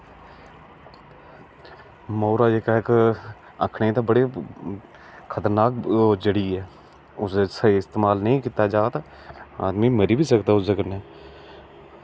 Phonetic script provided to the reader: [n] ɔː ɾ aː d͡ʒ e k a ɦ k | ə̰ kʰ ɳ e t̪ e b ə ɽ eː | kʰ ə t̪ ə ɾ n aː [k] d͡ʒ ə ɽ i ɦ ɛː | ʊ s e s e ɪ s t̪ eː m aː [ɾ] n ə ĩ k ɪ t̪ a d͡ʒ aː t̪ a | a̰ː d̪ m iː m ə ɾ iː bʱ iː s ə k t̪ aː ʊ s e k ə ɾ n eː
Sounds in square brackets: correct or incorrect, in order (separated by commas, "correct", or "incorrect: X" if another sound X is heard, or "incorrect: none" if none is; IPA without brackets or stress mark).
incorrect: m, correct, incorrect: l